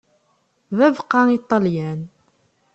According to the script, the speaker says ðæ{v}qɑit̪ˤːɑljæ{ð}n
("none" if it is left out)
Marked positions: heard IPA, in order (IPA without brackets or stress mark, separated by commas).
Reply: v, none